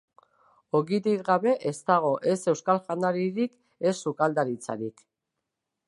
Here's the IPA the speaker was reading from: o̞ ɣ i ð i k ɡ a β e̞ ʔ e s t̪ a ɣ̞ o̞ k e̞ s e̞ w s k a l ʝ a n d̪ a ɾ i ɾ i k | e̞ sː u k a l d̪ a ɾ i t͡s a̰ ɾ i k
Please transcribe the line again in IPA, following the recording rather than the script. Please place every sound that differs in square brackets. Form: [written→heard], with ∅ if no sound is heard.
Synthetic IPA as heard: o̞ ɣ i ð i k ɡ a β e̞ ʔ e s t̪ a ɣ̞ o̞ [k→ʔ] e̞ s e̞ w s k a l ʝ a n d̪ a ɾ i ɾ i k | e̞ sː u k a l d̪ a ɾ i t͡s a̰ ɾ i k